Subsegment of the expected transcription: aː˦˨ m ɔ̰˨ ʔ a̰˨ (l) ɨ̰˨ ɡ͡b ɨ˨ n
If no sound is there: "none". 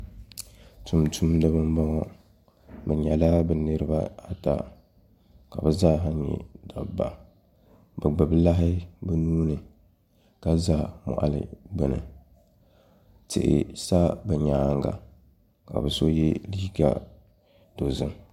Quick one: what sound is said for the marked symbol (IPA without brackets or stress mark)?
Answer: l